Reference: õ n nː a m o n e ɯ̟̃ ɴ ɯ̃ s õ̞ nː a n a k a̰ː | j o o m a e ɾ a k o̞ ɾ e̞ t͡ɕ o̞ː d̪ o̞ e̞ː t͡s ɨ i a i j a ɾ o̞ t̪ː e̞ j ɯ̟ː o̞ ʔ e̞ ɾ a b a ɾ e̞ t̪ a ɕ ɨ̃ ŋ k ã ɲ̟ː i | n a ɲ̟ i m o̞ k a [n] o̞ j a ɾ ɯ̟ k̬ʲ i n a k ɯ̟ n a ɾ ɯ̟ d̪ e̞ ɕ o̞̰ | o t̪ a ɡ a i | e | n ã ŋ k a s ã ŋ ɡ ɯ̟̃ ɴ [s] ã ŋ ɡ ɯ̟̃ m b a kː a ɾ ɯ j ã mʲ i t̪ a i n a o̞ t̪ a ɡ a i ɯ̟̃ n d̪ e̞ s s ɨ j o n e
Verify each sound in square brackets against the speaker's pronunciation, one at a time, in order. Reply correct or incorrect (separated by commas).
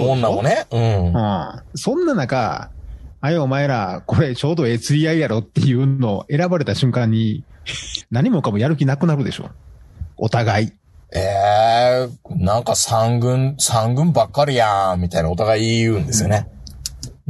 incorrect, correct